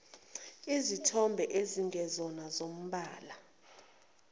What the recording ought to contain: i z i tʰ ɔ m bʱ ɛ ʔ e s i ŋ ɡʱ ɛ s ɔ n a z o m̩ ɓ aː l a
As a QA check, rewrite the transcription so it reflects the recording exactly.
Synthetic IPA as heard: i z i tʰ ɔ m bʱ ɛ ʔ e z i ŋ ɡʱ ɛ z ɔ n a z o m̩ ɓ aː l a